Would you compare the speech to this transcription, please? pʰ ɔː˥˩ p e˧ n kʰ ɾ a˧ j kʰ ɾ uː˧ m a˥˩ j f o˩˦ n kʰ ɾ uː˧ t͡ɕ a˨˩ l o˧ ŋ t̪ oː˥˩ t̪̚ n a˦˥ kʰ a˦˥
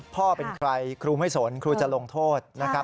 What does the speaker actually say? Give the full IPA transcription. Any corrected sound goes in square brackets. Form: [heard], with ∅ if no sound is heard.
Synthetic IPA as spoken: pʰ ɔː˥˩ p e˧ n kʰ ɾ a˧ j kʰ ɾ uː˧ m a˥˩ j [s] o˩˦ n kʰ ɾ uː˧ t͡ɕ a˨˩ l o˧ ŋ [t̪ʰ] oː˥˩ t̪̚ n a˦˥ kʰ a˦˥